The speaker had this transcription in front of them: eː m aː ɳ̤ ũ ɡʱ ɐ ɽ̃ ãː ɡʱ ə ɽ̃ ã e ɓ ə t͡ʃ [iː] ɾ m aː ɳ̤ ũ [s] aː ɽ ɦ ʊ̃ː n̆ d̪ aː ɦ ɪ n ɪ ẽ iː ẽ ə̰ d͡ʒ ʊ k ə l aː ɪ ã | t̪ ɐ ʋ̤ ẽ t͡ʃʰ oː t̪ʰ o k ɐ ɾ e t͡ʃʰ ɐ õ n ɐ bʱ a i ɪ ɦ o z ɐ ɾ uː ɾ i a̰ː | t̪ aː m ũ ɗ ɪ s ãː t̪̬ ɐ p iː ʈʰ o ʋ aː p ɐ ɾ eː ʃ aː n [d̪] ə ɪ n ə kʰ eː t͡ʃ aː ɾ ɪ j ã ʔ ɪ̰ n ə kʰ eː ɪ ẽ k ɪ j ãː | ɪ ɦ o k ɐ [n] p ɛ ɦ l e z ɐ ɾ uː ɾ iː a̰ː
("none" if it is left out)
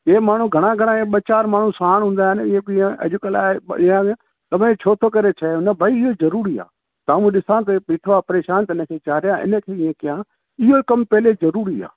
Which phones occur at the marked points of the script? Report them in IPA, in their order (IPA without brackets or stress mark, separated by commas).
aː, s, t̪, m